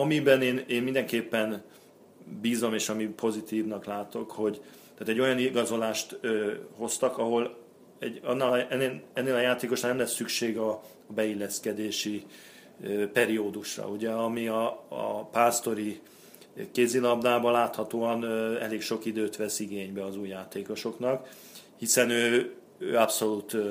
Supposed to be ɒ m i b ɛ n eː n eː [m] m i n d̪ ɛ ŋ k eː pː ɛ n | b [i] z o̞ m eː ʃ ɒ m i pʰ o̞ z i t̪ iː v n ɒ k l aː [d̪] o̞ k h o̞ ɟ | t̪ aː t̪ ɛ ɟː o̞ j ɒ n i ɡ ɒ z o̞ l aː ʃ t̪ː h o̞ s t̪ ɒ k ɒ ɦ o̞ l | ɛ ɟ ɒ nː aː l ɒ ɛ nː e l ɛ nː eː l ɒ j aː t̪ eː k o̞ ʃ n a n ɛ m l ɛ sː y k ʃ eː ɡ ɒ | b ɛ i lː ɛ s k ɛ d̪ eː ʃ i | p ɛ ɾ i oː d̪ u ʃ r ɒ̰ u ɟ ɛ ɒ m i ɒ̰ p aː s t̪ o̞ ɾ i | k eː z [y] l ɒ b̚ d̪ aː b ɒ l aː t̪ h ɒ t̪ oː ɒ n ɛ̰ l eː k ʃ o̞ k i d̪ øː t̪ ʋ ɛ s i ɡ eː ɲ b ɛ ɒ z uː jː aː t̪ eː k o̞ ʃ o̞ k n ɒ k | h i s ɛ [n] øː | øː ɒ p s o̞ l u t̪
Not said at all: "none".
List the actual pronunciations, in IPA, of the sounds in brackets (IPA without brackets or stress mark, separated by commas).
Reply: n, iː, t̪, i, n